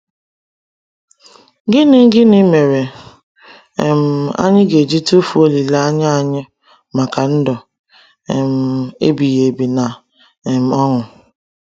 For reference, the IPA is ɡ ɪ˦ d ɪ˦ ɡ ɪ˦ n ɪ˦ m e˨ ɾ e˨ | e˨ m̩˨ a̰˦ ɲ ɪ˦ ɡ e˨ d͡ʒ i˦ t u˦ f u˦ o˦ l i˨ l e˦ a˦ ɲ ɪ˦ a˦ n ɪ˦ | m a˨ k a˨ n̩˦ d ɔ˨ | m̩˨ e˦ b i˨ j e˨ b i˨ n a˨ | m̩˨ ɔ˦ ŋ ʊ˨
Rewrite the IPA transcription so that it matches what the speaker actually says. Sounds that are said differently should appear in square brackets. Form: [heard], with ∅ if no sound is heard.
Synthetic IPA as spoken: ɡ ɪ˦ [n] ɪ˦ ɡ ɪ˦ n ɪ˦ m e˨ ɾ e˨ | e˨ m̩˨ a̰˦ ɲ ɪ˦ ɡ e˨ d͡ʒ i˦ t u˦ f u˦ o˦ l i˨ l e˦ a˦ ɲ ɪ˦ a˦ [ɲ] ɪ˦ | m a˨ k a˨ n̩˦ d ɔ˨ | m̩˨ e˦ b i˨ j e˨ b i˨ n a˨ | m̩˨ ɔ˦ ŋ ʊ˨